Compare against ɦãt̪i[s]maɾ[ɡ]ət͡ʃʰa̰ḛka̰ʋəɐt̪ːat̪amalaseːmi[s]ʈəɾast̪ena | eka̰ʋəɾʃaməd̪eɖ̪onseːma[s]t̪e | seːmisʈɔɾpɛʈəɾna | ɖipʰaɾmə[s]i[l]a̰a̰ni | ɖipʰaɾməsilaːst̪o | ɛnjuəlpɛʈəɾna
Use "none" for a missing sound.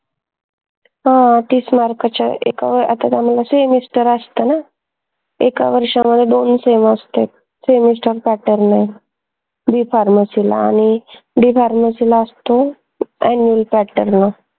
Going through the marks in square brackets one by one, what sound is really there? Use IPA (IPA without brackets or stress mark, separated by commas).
s, k, s, s, s, l